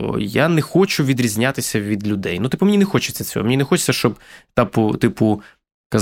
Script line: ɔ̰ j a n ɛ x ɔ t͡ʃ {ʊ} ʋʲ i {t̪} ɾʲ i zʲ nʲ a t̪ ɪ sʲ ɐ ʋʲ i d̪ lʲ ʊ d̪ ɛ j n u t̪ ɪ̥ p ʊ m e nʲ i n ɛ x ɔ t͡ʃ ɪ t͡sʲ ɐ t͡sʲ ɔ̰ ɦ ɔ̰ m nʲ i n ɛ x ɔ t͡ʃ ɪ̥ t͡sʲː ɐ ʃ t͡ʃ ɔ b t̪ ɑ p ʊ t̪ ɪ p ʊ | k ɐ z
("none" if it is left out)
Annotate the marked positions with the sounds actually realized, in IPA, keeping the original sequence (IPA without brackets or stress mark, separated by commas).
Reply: ʊ, d̪